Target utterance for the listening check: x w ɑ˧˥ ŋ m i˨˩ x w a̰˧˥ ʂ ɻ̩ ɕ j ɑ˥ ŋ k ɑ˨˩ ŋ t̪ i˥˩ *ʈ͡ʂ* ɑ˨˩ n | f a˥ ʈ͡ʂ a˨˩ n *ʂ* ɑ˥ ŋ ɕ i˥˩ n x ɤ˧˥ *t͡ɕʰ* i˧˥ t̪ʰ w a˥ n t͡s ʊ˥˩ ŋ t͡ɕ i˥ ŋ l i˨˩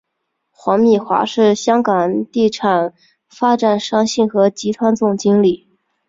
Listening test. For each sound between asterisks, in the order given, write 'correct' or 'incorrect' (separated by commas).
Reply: incorrect, correct, incorrect